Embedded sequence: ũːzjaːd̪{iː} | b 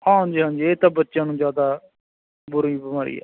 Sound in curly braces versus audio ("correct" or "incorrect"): incorrect